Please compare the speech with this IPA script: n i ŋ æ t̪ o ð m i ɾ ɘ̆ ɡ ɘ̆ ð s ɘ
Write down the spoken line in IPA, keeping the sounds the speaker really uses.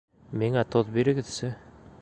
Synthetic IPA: m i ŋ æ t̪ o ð b i ɾ ɘ̆ ɡ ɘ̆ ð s ɘ